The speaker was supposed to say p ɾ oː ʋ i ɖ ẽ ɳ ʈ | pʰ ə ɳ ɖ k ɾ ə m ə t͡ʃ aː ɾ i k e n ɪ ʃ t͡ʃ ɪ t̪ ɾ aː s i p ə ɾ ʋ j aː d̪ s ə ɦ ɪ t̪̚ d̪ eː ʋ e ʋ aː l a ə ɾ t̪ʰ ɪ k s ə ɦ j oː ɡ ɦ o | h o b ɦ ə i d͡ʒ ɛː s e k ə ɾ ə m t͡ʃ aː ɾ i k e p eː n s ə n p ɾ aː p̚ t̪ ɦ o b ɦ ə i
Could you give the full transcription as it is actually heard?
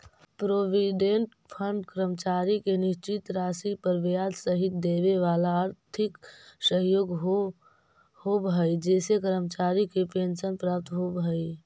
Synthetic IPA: p ɾ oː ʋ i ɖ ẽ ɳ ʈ | pʰ ə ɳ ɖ k ɾ ə m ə t͡ʃ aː ɾ i k e n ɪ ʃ t͡ʃ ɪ t̪ ɾ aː s i p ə ɾ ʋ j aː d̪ s ə ɦ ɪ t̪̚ d̪ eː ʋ e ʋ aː l a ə ɾ t̪ʰ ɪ k s ə ɦ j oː ɡ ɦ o | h o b ɦ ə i d͡ʒ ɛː s e k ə ɾ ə m t͡ʃ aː ɾ i k e p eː n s ə n p ɾ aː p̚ t̪ ɦ o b ɦ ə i